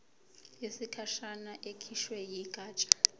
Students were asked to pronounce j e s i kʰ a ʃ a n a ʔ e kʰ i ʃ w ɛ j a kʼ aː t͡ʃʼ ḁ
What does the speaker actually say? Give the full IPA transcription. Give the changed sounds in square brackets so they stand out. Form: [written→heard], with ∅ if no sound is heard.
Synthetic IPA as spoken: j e s i kʰ a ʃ a n a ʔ e kʰ i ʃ w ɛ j [a→i] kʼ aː t͡ʃʼ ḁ